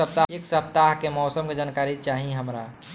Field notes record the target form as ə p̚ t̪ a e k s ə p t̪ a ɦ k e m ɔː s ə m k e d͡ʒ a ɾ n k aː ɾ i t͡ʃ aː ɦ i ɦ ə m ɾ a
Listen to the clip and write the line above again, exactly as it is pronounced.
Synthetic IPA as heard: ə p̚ t̪ a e k s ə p t̪ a ɦ k e m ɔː s ə m k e d͡ʒ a n k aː ɾ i t͡ʃ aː ɦ i ɦ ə m ɾ a